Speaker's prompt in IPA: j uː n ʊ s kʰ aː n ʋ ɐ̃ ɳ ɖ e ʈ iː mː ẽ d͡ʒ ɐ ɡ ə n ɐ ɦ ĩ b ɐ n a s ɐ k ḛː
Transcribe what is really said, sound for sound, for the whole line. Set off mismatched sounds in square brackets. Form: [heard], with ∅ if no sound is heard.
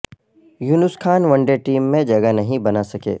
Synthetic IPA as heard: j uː n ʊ s kʰ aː n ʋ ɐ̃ ɳ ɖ e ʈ iː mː ẽ d͡ʒ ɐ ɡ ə n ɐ ɦ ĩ b ɐ n a s ɐ k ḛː